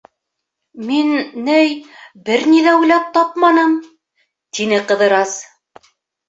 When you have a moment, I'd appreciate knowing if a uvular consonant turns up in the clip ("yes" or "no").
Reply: yes